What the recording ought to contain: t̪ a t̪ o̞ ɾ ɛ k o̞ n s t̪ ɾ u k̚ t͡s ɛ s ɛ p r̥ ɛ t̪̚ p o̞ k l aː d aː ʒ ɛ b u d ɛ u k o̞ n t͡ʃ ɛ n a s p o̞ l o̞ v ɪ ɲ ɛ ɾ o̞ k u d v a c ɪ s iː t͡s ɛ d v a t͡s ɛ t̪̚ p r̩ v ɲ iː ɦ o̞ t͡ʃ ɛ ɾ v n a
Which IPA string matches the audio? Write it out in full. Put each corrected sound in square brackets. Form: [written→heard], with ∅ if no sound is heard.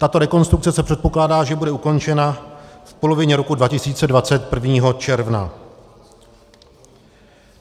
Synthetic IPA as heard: t̪ a t̪ o̞ ɾ ɛ k o̞ n s t̪ ɾ u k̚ t͡s ɛ s ɛ p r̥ ɛ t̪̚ p o̞ k l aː d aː ʒ ɛ b u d ɛ u k o̞ n t͡ʃ ɛ n a [s→f] p o̞ l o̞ v ɪ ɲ ɛ ɾ o̞ k u d v a c ɪ s iː t͡s ɛ d v a t͡s ɛ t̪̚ p r̩ v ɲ iː ɦ o̞ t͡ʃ ɛ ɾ v n a